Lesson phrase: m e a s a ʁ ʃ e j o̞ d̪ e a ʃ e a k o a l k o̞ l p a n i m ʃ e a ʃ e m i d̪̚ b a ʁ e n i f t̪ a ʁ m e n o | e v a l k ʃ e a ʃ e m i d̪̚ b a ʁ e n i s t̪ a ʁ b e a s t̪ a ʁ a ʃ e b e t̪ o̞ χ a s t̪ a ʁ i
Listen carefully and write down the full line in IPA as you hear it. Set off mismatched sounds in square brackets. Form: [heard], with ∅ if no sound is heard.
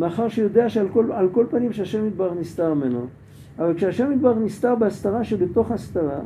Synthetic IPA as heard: m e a [χ] a ʁ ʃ e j o̞ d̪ e a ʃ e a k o a l k o̞ l p a n i m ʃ e a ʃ e m i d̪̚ b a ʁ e n i [s] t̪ a ʁ m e n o | [a] v a l k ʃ e a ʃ e m i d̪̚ b a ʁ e n i s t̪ a ʁ b e a s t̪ a ʁ a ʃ e b e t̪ o̞ χ a s t̪ a ʁ [a]